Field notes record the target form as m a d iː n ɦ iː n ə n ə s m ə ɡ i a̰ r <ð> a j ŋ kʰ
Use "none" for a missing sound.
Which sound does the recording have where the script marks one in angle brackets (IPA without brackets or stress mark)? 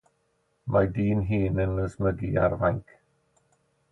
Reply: v